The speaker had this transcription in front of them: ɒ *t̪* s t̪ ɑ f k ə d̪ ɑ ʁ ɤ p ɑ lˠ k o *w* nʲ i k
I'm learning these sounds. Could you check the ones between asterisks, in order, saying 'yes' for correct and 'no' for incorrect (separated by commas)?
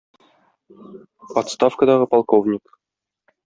yes, no